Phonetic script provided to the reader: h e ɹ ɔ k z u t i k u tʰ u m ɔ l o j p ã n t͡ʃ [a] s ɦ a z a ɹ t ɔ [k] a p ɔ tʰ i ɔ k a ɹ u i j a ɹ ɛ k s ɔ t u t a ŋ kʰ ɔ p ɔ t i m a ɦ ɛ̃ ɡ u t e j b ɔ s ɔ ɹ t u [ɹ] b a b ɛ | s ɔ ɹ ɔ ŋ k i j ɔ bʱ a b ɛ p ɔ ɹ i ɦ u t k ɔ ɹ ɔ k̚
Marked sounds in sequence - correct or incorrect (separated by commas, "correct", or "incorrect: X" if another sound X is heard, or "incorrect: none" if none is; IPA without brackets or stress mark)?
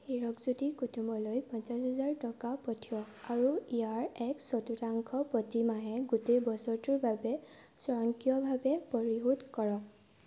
correct, correct, correct